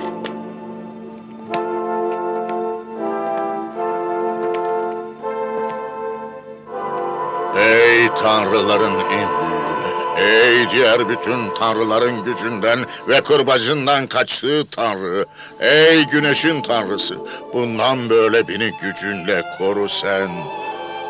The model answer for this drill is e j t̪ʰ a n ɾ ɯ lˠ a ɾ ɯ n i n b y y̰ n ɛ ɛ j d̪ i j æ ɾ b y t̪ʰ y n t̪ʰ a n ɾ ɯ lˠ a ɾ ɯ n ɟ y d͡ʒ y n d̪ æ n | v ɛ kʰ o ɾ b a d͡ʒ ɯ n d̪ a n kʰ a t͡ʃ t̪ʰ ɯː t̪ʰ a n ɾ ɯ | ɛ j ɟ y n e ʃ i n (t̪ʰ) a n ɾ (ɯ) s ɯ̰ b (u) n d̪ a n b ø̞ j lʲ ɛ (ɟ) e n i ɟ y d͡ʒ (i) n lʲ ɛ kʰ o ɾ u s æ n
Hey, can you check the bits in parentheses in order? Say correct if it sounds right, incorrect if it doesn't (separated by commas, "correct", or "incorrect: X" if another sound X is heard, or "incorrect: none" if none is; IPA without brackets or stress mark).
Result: correct, correct, correct, incorrect: b, incorrect: y